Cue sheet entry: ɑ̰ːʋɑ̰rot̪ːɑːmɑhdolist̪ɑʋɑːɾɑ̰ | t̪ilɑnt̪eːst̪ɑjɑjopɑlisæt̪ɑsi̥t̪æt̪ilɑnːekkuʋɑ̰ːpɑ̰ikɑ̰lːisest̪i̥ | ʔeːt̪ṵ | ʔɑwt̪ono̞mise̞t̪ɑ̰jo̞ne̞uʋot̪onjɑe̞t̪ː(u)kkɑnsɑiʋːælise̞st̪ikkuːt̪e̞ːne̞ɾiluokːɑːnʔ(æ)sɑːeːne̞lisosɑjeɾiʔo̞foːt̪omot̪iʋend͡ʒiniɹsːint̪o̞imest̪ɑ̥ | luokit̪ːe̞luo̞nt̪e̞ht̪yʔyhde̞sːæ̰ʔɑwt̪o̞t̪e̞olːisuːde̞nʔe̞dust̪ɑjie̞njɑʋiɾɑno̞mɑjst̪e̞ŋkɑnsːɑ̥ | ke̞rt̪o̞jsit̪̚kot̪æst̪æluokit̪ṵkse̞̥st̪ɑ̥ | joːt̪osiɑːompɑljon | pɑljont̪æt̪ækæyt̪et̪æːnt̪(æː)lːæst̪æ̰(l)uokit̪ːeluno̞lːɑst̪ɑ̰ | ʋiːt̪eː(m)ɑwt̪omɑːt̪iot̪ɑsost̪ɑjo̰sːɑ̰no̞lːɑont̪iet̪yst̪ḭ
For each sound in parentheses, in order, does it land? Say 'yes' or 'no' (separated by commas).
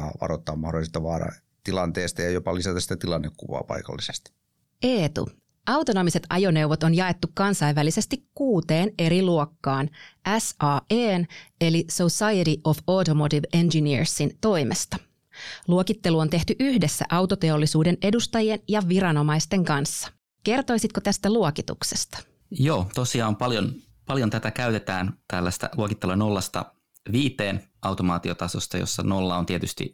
yes, yes, no, yes, no